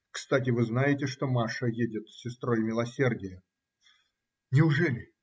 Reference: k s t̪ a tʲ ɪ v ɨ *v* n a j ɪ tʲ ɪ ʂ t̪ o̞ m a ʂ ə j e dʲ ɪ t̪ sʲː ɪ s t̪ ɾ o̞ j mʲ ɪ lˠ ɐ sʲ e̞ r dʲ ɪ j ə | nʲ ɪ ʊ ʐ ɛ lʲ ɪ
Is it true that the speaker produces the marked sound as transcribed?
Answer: no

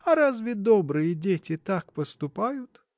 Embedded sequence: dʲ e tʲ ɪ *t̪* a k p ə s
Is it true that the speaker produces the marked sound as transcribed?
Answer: yes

